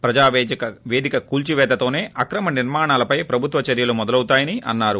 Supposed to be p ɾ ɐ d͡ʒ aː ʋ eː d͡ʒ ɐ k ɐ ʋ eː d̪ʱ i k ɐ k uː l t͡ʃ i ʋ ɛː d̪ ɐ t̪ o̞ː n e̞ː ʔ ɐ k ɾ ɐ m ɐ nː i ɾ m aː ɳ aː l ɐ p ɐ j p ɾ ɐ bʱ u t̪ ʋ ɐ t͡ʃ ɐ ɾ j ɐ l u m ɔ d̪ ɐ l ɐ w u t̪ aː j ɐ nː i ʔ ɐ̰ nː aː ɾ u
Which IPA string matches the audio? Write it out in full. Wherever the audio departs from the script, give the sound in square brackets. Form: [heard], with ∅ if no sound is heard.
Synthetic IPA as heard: p ɾ ɐ d͡ʒ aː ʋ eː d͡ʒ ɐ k ɐ ʋ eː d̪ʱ i k ɐ k uː l t͡ʃ i ʋ ɛː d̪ ɐ t̪ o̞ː n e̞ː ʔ ɐ k ɾ ɐ m ɐ [n] i ɾ m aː ɳ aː l ɐ p ɐ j p ɾ ɐ bʱ u t̪ ʋ ɐ t͡ʃ ɐ ɾ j ɐ l u m ɔ d̪ ɐ l ɐ w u t̪ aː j ɐ [n] i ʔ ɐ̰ nː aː ɾ u